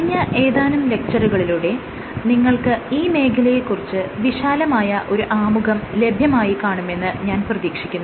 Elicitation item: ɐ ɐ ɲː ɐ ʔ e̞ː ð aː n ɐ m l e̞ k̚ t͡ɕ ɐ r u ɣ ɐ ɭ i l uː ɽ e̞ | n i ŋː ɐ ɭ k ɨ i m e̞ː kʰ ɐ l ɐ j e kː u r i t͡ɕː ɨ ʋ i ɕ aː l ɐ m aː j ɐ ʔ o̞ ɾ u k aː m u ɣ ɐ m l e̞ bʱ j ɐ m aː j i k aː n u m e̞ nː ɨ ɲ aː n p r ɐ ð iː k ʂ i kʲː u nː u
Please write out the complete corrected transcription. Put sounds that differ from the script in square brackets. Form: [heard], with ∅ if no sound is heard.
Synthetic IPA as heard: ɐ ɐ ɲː ɐ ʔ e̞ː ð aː n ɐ m l e̞ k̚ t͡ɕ ɐ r u ɣ ɐ ɭ i l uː ɽ e̞ | n i ŋː ɐ ɭ k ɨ [iː] m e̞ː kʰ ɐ l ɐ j e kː u r i t͡ɕː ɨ ʋ i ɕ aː l ɐ m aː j ɐ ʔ o̞ ɾ u [ʔ] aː m u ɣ ɐ m l e̞ bʱ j ɐ m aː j i k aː [ɳ] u m e̞ nː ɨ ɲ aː n p r ɐ ð iː k ʂ i kʲː u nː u